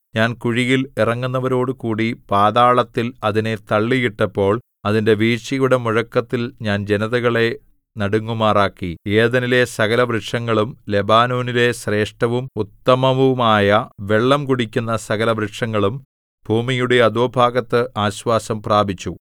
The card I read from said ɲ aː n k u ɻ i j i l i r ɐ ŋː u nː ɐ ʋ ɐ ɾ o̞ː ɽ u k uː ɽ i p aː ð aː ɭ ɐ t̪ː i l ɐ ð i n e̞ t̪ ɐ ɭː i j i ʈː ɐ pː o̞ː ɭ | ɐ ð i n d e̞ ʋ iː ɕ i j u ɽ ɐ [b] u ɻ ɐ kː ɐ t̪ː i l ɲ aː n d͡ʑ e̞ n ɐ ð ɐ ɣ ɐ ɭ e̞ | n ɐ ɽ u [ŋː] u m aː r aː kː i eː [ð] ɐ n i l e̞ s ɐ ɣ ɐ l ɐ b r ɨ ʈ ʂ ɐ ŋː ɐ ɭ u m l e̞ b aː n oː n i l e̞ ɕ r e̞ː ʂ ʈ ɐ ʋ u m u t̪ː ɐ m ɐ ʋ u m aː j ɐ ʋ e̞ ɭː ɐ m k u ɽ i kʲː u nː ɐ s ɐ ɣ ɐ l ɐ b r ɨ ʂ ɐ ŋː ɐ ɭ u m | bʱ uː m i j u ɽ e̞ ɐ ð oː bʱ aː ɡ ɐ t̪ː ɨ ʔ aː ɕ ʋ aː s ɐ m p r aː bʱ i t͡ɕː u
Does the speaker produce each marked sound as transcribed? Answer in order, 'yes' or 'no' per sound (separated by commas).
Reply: no, yes, yes